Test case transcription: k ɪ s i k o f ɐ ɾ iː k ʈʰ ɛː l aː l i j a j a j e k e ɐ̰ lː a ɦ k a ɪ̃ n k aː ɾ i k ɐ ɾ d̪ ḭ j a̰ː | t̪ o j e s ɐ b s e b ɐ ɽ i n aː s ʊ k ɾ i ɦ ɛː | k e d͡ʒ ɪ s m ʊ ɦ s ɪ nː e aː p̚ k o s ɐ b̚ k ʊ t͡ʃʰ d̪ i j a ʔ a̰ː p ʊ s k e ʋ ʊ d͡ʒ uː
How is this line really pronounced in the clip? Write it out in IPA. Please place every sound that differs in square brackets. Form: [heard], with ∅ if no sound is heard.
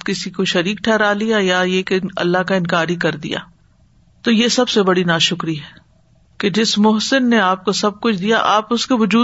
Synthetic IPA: k ɪ s i k o [ʃ] ɐ ɾ iː k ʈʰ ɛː [ɾ] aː l i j a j a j e k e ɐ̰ lː a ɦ k a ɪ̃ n k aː ɾ i k ɐ ɾ d̪ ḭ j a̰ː | t̪ o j e s ɐ b s e b ɐ ɽ i n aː [ʃ] ʊ k ɾ i ɦ ɛː | k e d͡ʒ ɪ s m ʊ ɦ s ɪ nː e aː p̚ k o s ɐ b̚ k ʊ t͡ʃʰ d̪ i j a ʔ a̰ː p ʊ s k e ʋ ʊ d͡ʒ uː